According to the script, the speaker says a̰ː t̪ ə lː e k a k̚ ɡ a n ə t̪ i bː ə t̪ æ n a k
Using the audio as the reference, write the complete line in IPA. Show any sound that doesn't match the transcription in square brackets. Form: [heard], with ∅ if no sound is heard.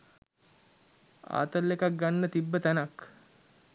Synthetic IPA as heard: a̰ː t̪ ə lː e k a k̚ ɡ a [nː] ə t̪ i bː ə t̪ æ n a k